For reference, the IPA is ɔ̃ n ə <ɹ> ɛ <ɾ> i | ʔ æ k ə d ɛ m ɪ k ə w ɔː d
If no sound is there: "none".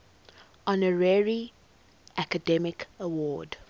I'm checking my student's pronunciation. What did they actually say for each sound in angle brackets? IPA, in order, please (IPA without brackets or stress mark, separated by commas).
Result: ɹ, ɹ